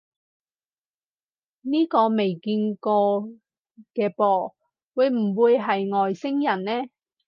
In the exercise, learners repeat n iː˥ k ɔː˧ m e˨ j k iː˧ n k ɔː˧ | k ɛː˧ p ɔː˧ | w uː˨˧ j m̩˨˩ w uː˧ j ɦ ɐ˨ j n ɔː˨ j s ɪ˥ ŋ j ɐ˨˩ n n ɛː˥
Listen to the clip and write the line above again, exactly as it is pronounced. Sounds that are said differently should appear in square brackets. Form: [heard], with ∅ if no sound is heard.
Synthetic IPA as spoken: n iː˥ k ɔː˧ m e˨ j k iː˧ n k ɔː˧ | k ɛː˧ p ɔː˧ | w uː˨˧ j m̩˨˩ w uː˧ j ɦ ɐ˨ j [ŋ] ɔː˨ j s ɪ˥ ŋ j ɐ˨˩ n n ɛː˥